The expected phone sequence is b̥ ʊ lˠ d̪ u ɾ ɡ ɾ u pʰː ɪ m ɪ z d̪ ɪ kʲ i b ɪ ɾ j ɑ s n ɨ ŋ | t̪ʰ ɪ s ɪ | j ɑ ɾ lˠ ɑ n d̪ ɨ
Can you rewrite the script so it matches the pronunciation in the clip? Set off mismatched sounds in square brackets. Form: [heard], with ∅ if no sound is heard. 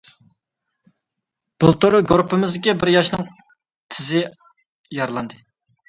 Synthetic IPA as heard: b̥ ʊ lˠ [t̪] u ɾ ɡ ɾ u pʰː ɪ m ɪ z d̪ ɪ kʲ i b ɪ ɾ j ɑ [ʃ] n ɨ ŋ | t̪ʰ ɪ [z] ɪ | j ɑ ɾ lˠ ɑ n d̪ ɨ